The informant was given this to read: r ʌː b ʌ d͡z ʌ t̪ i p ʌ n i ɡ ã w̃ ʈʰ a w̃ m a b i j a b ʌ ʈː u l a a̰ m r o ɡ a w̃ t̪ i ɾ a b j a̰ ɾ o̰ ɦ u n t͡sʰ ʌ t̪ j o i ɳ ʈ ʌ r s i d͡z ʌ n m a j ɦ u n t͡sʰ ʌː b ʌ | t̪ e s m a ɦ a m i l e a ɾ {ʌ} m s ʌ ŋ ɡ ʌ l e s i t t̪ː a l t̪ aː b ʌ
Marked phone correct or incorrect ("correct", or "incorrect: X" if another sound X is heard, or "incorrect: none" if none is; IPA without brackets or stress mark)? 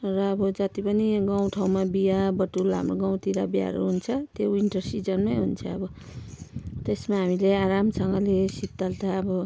incorrect: a